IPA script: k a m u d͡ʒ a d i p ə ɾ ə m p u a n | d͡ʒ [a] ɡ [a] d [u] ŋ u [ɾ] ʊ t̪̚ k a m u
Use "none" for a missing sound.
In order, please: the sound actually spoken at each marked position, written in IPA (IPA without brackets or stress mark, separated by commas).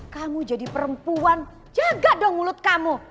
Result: a, a, ɔ, l